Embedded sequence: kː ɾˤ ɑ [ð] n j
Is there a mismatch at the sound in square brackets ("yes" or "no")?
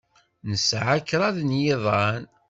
no